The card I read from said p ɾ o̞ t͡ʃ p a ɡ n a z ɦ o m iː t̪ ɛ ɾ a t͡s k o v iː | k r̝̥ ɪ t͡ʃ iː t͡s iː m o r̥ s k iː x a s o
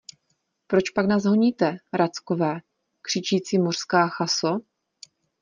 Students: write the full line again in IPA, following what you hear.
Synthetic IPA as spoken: p ɾ o̞ t͡ʃ p a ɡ n a z ɦ o ɲ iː t̪ ɛ ɾ a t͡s k o v ɛː | k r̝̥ ɪ t͡ʃ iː t͡s iː m o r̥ s k aː x a s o